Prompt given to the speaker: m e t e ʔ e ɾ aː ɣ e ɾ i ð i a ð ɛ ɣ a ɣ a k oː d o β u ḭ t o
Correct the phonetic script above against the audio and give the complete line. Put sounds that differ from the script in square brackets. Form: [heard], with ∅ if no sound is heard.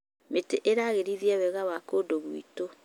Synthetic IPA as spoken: m e t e ʔ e ɾ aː ɣ e ɾ i ð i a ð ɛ ɣ a [w] a k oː d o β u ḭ t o